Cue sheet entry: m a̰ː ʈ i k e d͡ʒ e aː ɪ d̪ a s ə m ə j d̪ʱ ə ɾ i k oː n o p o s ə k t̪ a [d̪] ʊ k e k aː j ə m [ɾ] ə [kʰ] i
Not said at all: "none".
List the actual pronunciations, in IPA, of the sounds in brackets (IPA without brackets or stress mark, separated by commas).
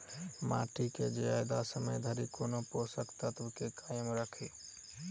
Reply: t̪, ɾ, kʰ